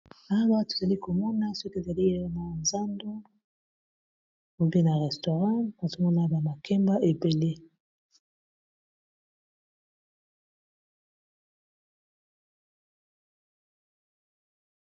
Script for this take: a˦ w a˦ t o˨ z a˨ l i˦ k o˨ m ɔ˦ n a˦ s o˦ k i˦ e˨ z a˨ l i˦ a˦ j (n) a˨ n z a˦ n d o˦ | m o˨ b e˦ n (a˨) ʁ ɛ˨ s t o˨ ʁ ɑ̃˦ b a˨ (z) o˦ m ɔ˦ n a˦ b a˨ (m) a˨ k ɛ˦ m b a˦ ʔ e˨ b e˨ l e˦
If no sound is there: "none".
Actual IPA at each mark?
n, a˨, z, m

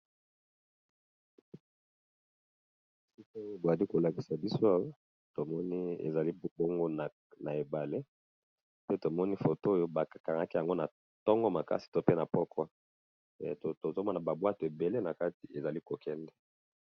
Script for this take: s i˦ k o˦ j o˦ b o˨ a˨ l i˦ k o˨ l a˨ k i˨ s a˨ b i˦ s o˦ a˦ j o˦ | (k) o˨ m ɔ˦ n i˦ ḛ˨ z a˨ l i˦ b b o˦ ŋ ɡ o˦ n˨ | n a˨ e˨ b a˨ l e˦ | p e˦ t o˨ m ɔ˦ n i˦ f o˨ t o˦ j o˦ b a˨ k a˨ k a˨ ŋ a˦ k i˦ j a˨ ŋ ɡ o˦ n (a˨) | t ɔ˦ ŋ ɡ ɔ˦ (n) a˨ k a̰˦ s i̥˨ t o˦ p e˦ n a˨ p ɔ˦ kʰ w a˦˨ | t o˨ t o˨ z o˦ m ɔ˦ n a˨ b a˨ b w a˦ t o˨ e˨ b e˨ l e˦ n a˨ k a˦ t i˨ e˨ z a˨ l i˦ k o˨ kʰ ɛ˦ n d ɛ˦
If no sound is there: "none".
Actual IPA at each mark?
t, a˨, m

